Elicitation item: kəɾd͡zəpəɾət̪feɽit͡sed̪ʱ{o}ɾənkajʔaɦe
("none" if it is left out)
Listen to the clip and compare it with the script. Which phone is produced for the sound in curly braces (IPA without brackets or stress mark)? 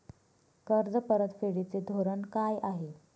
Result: o